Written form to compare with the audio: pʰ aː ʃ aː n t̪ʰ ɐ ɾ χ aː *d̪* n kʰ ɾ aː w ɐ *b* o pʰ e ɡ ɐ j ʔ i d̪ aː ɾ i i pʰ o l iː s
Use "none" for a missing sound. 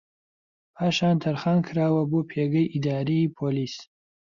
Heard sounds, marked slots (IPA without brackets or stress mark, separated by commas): none, b